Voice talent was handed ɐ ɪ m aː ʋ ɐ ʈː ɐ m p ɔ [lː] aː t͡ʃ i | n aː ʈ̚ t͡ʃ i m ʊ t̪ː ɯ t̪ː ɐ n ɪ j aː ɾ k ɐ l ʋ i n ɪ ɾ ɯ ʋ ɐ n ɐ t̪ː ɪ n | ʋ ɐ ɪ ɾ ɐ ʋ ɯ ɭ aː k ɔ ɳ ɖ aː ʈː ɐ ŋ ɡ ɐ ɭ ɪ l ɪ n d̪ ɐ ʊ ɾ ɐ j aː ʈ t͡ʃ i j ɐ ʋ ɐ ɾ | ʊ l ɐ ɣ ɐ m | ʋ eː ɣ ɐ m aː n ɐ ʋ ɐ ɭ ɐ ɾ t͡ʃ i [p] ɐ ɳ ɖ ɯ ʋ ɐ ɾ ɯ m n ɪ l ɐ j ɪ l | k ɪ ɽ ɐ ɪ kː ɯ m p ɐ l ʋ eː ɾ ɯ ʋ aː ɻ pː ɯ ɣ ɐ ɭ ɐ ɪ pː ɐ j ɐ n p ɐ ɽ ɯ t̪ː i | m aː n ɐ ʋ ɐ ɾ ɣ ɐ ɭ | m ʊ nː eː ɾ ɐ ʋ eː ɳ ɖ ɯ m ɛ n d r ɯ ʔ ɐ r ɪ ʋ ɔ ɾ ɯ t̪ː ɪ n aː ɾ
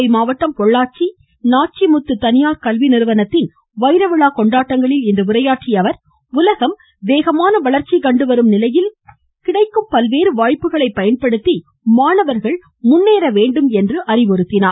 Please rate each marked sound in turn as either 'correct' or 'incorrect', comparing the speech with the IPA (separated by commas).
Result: incorrect, incorrect